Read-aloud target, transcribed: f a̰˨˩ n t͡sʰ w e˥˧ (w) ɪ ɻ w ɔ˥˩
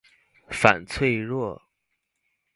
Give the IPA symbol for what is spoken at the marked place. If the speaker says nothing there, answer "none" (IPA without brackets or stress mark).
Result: none